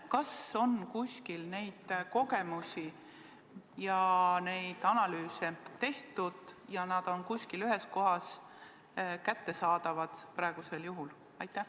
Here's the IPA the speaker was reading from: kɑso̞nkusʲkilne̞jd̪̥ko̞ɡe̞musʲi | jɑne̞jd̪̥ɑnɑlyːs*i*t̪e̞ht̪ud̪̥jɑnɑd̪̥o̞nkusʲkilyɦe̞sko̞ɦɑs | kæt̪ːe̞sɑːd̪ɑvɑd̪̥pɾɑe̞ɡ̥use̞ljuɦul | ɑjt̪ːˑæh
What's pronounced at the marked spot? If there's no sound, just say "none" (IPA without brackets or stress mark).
e